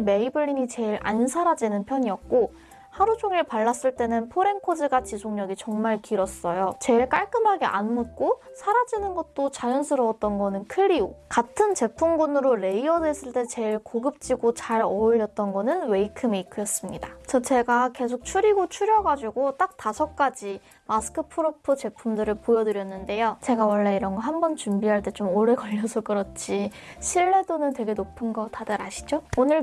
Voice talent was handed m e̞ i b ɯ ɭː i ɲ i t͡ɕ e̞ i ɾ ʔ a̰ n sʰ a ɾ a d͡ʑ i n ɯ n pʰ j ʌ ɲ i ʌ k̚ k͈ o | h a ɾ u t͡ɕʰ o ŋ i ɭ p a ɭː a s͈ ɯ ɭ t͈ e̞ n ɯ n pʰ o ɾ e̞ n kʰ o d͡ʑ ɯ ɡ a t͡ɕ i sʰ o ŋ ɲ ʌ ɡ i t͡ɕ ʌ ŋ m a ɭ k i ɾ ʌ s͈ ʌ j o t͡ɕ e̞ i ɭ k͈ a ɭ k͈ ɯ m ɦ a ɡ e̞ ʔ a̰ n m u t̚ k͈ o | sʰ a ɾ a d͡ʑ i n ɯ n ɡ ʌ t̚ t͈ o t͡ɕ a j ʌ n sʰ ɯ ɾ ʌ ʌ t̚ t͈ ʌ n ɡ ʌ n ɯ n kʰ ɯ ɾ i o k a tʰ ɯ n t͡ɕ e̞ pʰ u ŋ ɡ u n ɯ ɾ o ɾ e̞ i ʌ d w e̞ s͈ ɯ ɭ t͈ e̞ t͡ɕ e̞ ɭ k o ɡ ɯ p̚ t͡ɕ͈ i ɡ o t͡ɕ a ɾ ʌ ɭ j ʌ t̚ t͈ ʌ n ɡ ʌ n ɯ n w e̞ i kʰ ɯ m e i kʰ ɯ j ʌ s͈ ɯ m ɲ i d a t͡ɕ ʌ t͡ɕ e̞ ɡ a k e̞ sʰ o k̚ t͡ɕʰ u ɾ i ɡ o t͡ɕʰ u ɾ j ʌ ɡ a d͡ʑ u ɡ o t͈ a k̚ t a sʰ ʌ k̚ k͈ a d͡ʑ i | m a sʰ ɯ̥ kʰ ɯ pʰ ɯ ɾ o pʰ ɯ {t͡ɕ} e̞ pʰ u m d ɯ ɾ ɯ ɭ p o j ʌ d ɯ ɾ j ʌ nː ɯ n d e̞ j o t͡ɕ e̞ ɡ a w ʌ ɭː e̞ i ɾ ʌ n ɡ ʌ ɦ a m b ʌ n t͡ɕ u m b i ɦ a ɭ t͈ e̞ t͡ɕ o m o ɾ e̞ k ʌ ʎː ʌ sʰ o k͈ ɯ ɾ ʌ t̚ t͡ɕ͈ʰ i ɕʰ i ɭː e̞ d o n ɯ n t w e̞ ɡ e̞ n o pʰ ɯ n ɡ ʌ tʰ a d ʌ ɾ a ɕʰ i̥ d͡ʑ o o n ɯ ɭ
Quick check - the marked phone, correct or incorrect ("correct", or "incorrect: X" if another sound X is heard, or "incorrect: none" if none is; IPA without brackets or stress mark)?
correct